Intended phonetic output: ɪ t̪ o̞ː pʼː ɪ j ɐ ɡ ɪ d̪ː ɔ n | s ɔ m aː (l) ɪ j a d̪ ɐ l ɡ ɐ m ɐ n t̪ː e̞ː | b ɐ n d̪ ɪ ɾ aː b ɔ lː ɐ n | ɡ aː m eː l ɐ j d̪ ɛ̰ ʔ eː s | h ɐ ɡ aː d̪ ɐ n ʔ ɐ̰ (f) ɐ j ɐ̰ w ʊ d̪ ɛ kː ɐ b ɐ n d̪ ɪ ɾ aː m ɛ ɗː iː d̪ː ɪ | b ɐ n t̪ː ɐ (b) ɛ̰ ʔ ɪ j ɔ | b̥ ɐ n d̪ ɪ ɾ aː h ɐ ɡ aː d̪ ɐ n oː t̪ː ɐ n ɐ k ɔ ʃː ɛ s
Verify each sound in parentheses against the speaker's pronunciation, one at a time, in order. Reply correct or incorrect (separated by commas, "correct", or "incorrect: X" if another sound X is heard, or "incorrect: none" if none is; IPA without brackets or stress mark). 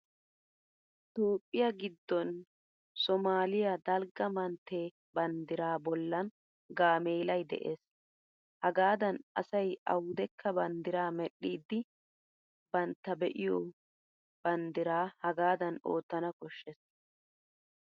correct, incorrect: s, correct